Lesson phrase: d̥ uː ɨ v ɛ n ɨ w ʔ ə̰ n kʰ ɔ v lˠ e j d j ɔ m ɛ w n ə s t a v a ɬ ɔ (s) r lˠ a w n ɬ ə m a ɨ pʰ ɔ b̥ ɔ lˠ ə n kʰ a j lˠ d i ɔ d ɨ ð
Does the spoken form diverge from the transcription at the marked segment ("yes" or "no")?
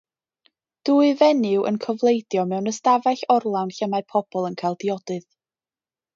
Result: yes